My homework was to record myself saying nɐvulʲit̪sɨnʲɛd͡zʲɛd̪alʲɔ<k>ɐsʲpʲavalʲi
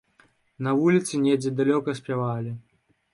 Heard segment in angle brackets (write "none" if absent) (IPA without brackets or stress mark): k